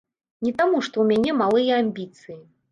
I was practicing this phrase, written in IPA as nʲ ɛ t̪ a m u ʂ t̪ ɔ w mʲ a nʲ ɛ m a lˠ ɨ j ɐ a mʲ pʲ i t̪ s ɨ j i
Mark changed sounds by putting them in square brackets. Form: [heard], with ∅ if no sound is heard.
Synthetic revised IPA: nʲ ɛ t̪ a m u ʂ t̪ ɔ w mʲ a nʲ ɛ m a lˠ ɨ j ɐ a mʲ [bʲ] i t̪ s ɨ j i